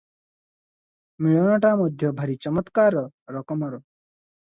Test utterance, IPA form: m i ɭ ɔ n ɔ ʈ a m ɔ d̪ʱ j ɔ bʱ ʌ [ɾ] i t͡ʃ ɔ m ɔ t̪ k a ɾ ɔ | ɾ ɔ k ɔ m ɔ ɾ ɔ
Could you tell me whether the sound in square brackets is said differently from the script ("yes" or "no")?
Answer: no